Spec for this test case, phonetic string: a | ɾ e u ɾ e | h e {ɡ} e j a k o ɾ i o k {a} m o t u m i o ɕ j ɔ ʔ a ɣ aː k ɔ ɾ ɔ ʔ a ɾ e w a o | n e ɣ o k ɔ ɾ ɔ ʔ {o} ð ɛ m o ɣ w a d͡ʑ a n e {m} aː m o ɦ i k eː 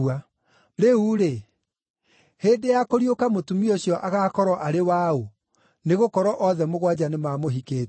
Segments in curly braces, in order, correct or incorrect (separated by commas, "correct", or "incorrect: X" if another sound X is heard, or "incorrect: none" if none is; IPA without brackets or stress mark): incorrect: d, correct, incorrect: ɔ, correct